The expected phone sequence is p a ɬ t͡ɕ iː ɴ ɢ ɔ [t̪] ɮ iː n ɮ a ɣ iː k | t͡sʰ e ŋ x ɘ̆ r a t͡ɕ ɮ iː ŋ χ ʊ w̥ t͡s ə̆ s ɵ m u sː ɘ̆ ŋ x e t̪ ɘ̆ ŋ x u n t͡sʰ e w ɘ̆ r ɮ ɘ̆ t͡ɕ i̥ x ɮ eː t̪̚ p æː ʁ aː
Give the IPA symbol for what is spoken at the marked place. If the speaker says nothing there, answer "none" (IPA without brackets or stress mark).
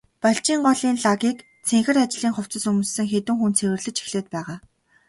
none